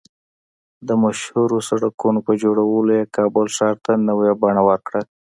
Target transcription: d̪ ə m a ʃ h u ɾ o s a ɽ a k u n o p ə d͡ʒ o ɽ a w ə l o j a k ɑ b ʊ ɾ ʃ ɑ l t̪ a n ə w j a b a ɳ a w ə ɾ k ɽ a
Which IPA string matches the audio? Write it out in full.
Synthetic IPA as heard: d̪ ə m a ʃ h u ɾ o s a ɽ a k u n o p ə d͡ʒ o ɽ a w ə l o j e k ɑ b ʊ l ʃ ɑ ɾ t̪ a n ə w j a b a ɳ a w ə ɾ k ɽ a